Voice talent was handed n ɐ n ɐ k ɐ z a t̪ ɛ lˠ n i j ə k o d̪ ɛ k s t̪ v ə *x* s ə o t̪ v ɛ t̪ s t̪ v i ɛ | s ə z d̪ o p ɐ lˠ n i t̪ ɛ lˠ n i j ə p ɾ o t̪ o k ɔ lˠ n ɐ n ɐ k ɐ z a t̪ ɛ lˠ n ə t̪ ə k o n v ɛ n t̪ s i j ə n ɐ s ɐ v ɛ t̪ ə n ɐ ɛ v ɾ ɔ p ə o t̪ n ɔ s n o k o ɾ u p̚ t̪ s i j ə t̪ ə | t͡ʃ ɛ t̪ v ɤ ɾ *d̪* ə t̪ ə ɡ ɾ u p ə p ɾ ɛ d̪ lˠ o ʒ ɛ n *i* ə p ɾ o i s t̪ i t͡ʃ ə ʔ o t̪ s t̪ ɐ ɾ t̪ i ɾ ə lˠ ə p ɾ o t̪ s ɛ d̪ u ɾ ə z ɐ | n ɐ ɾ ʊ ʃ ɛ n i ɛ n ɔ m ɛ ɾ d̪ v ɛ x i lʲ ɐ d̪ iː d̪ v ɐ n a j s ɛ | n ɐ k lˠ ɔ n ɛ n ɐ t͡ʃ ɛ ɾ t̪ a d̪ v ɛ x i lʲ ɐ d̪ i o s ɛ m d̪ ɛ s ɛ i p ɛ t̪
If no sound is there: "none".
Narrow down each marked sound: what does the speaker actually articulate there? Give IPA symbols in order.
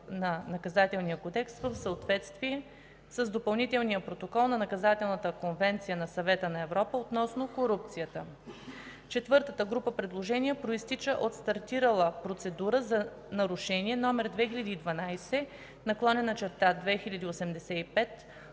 f, t̪, i

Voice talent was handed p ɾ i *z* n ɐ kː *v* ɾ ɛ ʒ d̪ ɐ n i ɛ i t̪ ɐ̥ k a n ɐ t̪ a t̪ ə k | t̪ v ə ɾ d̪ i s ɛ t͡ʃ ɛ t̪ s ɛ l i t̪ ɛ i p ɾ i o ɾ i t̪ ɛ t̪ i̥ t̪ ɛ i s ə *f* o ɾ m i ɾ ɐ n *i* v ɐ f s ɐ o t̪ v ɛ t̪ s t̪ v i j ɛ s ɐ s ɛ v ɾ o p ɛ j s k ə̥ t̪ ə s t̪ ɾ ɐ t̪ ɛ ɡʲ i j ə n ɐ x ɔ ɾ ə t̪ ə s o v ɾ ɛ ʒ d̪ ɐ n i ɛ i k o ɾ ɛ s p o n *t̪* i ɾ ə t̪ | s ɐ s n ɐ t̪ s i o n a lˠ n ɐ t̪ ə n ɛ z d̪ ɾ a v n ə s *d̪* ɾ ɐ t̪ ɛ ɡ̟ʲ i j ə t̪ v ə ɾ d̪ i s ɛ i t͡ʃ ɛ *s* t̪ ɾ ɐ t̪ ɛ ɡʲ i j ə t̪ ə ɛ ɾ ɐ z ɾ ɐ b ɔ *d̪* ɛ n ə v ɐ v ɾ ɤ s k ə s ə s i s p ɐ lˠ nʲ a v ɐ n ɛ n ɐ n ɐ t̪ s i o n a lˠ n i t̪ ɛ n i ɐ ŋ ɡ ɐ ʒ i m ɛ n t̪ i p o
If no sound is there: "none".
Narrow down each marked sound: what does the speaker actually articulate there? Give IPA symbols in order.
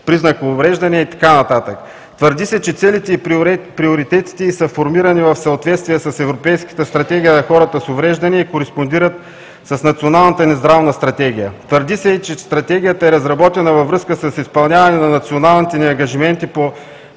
z, v, f, i, d̪, t̪, s, t̪

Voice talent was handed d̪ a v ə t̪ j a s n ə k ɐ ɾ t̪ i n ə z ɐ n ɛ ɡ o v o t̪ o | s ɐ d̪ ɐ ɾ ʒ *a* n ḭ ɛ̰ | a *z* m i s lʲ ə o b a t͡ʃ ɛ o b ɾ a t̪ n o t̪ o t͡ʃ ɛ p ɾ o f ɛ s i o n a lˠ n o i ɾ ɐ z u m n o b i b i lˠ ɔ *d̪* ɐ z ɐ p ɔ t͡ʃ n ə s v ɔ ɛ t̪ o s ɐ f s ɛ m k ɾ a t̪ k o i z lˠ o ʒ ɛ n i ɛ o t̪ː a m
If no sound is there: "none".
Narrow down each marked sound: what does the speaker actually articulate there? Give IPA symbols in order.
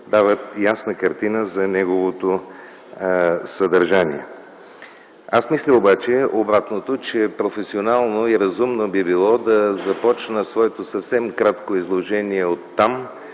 a, s, d̪

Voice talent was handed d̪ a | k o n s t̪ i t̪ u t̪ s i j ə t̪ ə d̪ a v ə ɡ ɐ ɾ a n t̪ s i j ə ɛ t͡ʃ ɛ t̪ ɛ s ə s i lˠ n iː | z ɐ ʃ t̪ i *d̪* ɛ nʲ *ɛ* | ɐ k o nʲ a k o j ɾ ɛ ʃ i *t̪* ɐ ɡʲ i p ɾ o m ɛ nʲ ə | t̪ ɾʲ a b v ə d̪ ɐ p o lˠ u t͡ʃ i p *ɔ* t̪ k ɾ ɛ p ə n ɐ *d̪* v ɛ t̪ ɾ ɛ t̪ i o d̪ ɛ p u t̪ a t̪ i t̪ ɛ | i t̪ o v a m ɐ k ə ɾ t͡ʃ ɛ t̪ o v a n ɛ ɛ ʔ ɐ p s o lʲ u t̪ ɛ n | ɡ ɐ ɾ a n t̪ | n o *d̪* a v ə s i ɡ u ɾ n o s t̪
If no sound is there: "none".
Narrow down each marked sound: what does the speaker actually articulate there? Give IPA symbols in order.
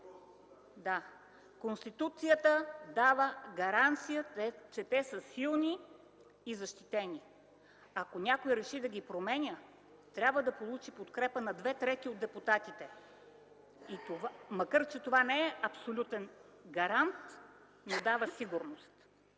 t̪, i, d̪, o, d̪, d̪

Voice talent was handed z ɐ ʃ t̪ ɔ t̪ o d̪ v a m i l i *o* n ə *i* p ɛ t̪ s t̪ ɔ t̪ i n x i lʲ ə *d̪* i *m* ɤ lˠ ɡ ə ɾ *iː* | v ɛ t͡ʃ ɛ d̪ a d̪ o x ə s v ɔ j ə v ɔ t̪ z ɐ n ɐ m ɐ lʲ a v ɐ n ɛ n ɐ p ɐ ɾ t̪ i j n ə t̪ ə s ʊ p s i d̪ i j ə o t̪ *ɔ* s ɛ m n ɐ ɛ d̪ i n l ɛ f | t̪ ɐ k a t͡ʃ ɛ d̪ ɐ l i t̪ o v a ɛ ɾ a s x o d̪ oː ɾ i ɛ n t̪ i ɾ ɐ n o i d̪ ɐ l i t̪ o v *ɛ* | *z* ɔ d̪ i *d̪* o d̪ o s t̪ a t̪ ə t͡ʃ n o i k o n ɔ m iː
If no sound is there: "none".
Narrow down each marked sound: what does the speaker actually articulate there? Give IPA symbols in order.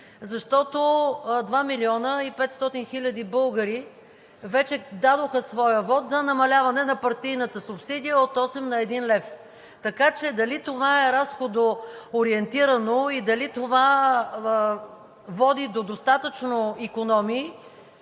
ɔ, i, d̪, b, i, ɔ, a, v, d̪

